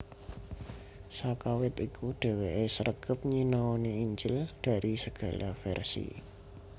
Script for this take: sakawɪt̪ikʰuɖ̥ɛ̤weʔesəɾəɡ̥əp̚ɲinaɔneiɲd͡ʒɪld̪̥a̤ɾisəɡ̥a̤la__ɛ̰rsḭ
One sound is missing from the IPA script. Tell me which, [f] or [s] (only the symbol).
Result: f